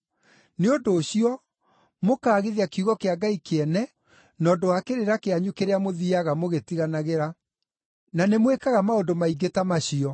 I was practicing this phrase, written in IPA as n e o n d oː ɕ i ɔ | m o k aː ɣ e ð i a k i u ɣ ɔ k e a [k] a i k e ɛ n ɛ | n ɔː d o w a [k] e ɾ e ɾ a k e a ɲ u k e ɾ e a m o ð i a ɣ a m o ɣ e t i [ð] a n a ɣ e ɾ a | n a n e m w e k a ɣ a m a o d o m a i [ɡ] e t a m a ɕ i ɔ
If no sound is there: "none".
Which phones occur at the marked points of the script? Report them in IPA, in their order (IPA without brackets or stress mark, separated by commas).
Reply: ɡ, k, ɣ, ɡ